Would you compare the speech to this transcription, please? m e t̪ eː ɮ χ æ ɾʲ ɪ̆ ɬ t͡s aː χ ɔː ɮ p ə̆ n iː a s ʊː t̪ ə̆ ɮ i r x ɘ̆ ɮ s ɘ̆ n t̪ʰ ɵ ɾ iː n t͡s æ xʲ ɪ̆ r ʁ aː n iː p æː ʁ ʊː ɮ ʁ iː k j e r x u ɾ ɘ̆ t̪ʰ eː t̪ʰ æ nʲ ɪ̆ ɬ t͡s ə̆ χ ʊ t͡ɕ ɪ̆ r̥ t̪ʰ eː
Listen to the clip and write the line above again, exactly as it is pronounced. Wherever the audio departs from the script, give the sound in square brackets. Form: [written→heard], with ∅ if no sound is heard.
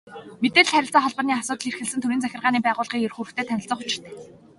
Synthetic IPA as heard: m e t̪ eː ɮ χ æ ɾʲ ɪ̆ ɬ t͡s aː χ [ɔː→ɔ] ɮ p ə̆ n iː a s ʊː t̪ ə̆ ɮ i r x ɘ̆ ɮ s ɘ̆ n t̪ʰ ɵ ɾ iː n t͡s æ xʲ ɪ̆ r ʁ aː n iː p æː ʁ ʊː ɮ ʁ iː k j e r x u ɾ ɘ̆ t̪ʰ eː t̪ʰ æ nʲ ɪ̆ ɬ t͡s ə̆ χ ʊ t͡ɕ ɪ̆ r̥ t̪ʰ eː